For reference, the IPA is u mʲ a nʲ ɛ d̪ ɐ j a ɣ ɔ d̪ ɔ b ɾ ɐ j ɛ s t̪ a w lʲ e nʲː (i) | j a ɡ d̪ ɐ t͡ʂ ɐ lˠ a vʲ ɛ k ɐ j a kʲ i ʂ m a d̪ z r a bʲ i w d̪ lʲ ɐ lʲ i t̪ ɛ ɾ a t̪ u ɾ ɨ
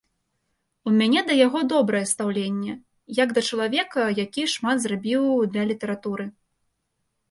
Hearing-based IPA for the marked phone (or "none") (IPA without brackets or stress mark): ɛ